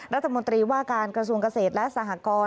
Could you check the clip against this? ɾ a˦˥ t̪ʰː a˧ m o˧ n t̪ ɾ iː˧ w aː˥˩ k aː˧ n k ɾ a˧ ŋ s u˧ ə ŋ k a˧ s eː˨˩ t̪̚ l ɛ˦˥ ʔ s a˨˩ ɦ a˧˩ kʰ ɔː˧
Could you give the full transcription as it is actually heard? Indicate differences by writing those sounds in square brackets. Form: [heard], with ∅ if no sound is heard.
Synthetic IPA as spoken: ɾ a˦˥ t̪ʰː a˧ m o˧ n t̪ ɾ iː˧ w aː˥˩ k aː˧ n k ɾ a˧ [∅] s u˧ ə ŋ k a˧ s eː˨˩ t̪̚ l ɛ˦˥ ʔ s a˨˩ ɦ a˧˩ [k] ɔː˧